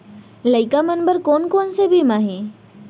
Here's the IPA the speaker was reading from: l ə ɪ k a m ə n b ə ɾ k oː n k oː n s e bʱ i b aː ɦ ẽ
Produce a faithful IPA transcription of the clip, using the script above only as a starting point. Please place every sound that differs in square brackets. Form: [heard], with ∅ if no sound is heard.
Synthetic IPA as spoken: l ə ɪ k a m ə n b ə ɾ k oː n k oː n s e bʱ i [m] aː ɦ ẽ